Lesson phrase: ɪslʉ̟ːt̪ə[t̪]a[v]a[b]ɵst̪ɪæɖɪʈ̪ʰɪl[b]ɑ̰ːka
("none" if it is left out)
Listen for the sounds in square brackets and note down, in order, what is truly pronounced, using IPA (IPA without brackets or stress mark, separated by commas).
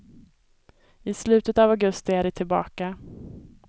t̪, v, ɡ, b